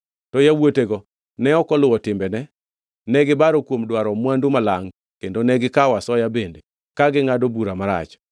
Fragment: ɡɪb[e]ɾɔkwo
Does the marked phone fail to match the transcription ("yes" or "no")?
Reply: yes